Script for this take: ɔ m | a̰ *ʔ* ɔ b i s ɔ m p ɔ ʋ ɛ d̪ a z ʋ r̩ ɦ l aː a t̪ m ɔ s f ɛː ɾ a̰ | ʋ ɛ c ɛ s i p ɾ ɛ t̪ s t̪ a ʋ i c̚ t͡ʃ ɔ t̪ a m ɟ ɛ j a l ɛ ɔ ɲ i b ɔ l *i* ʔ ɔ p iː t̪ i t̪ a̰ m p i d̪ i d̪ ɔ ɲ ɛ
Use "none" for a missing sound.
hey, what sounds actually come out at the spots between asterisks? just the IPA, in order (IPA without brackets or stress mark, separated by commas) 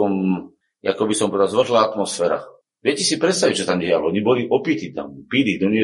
k, i